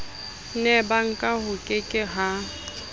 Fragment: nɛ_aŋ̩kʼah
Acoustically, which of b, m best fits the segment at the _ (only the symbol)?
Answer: b